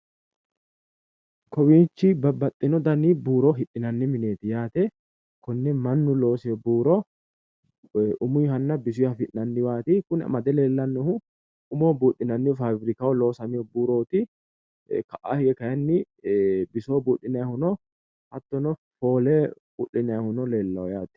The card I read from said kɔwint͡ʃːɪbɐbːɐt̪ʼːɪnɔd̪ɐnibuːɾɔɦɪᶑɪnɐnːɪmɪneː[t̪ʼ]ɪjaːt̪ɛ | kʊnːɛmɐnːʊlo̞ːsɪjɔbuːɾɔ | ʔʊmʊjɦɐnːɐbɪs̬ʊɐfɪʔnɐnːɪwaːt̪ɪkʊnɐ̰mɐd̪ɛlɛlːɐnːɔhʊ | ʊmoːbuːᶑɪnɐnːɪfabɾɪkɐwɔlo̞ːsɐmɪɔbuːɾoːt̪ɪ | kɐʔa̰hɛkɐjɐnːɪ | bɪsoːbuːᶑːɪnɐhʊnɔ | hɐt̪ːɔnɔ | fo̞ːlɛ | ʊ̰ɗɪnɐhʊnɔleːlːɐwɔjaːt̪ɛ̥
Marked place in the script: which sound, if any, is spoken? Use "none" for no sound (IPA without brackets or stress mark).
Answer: t̪